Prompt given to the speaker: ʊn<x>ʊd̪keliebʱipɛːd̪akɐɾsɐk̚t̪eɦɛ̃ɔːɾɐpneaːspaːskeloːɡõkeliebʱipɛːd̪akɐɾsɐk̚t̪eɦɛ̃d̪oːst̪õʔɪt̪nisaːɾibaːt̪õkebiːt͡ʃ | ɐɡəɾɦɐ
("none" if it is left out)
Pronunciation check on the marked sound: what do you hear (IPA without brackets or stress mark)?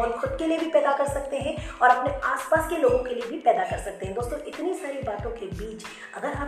x